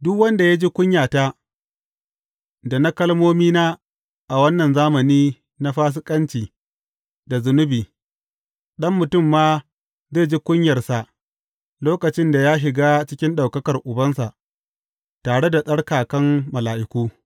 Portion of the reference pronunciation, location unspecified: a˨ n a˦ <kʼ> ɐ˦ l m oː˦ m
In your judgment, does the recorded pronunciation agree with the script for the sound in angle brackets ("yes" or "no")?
no